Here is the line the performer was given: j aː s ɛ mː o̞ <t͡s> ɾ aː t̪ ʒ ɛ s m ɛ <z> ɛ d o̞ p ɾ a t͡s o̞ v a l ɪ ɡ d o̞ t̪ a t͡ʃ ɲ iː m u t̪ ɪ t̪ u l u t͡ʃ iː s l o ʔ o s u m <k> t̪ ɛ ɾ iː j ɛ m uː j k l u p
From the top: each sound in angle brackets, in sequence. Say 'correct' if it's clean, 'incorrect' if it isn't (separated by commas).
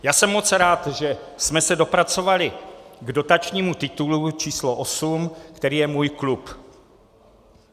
correct, incorrect, correct